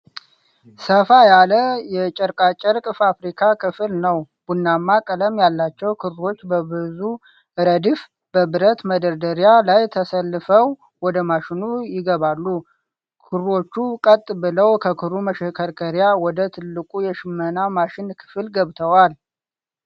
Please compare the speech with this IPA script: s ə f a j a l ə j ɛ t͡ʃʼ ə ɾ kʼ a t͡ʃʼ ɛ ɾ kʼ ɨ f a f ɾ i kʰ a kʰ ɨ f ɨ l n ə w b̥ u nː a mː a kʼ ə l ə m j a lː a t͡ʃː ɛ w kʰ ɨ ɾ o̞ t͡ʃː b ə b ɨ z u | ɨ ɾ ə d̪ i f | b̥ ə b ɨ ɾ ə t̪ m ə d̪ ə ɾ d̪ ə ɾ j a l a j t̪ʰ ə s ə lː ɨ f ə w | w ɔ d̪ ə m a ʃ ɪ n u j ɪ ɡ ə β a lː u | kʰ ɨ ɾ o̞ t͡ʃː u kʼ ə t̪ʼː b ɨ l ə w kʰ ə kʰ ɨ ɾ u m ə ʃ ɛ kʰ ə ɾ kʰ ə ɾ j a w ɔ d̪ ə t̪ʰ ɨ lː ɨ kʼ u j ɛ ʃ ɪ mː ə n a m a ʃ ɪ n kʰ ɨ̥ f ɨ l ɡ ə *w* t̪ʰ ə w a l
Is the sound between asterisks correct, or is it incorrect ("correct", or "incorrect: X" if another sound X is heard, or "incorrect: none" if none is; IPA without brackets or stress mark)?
incorrect: β